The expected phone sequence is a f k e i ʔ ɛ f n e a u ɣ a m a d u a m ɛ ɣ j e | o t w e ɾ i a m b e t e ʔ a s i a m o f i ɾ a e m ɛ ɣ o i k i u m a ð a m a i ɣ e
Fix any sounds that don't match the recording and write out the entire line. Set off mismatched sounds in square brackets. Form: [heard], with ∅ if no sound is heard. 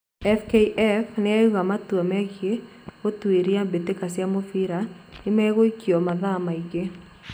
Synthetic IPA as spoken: [ɛ] f k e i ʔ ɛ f n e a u ɣ a m a [t] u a m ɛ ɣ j e | o t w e ɾ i a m b e t e [k] a s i a m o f i ɾ a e m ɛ ɣ o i k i [ɔ] m a ð a m a i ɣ e